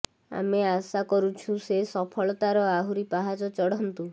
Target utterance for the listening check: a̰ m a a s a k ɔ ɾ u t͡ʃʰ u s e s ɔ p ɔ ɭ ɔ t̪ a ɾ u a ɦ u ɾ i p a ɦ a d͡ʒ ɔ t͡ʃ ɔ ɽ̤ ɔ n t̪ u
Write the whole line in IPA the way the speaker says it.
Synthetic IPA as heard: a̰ m e a s a k ɔ ɾ u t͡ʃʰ u s e s ɔ pʰ ɔ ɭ ɔ t̪ a ɾ ɔ a ɦ u ɾ i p a ɦ a d͡ʒ ɔ t͡ʃ ɔ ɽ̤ ɔ n t̪ u